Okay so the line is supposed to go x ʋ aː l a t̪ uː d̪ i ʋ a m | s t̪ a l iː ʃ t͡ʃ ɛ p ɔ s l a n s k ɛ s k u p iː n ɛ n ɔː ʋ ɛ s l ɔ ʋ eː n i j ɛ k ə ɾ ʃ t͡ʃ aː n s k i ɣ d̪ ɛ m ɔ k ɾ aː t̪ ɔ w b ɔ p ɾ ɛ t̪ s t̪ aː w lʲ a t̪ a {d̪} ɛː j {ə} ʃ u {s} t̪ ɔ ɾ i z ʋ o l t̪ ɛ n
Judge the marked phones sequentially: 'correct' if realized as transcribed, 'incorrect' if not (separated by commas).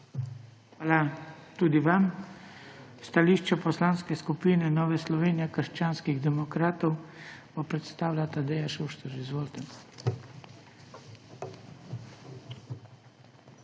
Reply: correct, incorrect, incorrect